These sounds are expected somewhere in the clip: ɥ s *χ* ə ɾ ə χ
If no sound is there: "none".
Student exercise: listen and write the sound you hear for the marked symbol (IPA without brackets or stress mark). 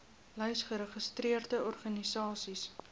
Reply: χ